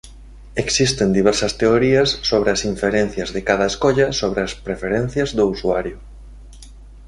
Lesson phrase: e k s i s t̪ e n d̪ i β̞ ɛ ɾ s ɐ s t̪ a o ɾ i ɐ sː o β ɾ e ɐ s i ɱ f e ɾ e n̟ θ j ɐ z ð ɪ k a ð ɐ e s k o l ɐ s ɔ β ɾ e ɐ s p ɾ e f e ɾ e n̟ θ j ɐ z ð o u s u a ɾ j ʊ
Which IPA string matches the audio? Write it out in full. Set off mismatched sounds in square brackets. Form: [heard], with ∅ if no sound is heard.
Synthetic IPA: e k s i s t̪ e n d̪ i β̞ ɛ ɾ s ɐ s t̪ [e] o ɾ i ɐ sː o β ɾ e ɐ s i ɱ f e ɾ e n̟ θ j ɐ z ð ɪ k a ð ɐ e s k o [ʎ] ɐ s [o] β ɾ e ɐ s p ɾ e f e ɾ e n̟ θ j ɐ z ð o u s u a ɾ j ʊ